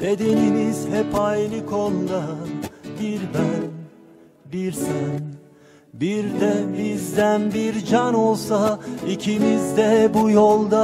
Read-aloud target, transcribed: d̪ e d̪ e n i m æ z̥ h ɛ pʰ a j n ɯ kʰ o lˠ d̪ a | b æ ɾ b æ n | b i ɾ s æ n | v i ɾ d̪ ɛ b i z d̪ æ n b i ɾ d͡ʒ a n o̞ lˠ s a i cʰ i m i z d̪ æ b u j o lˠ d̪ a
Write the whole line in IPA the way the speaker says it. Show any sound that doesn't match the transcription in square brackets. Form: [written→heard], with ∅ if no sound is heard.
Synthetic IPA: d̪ e d̪ e n i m [æ→i] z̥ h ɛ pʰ a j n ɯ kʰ o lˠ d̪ a | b [æ→i] ɾ b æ n | b i ɾ s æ n | [v→b] i ɾ d̪ ɛ b i z d̪ æ n b i ɾ d͡ʒ a n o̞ lˠ s a i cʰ i m i z d̪ [æ→ɛ] b u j o lˠ d̪ a